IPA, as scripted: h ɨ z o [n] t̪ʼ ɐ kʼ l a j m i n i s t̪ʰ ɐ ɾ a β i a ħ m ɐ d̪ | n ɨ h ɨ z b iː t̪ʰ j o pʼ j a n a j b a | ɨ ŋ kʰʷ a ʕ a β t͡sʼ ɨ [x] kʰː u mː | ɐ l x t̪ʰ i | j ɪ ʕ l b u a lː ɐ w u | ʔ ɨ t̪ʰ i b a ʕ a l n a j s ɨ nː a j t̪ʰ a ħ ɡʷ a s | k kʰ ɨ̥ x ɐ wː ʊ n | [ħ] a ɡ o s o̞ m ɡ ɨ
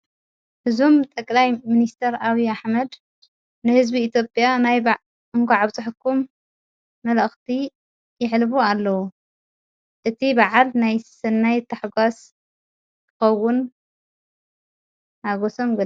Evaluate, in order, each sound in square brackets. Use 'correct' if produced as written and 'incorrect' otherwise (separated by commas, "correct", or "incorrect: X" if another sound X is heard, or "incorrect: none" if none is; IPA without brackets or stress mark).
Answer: incorrect: m, incorrect: ħ, incorrect: h